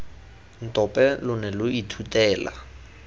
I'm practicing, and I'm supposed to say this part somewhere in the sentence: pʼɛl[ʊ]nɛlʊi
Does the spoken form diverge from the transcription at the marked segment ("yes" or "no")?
no